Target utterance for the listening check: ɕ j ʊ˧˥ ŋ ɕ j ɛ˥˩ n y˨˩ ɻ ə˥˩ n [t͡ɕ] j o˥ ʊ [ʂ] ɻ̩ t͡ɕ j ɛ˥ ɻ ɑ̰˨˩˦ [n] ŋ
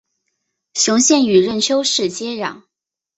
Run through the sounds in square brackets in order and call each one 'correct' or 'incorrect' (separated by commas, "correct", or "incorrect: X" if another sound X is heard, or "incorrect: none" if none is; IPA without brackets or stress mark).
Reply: incorrect: t͡ɕʰ, correct, incorrect: none